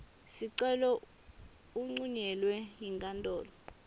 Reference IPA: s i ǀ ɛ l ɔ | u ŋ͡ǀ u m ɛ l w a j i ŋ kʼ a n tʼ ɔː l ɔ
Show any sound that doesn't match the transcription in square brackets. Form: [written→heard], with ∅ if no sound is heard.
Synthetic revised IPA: s i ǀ ɛ l ɔ | u ŋ͡ǀ u [m→ɲ] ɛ l w [a→ɛ] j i ŋ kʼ a n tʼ ɔː l ɔ